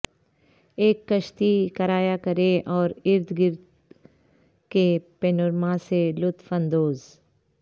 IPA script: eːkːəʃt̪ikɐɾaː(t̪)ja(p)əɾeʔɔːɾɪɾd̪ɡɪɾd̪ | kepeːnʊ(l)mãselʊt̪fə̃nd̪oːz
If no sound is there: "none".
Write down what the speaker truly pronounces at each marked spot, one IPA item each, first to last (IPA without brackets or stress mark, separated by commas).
none, k, ɾ